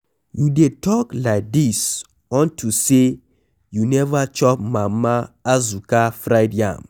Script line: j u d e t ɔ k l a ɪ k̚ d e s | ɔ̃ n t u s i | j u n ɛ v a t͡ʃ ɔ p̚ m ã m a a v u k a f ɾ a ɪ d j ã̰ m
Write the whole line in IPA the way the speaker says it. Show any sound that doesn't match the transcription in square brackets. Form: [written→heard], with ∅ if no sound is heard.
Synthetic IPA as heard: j u d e t ɔ k l a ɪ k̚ d [e→i] s | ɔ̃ n t u s [i→e] | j u n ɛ v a t͡ʃ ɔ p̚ m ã m a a [v→z] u k a f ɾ a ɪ d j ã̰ m